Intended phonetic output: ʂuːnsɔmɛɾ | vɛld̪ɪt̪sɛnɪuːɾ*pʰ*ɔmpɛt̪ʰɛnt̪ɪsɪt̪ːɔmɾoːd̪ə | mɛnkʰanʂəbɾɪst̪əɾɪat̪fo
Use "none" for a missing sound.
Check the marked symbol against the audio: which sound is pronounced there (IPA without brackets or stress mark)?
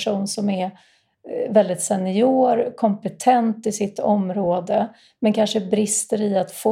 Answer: kʰ